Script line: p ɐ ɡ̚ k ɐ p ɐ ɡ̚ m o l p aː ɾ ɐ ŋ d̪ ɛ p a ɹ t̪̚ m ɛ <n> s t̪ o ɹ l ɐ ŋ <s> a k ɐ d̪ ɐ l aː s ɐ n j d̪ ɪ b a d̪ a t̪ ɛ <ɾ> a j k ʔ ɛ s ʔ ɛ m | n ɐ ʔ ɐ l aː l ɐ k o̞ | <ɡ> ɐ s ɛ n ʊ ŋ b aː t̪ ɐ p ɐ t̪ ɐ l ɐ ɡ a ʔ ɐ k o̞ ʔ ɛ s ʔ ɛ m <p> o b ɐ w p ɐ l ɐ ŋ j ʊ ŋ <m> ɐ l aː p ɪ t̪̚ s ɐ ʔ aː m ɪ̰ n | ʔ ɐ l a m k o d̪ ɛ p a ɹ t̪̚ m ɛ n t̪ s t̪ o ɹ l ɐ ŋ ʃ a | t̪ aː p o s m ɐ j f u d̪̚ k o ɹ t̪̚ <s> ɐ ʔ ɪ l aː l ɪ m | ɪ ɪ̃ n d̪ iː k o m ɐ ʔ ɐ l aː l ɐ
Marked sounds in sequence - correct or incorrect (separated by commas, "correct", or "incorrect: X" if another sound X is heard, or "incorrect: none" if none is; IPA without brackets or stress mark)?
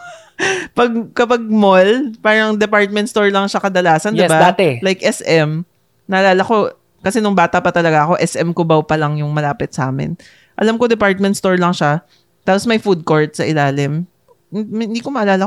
correct, incorrect: ʃ, incorrect: l, incorrect: k, incorrect: k, correct, correct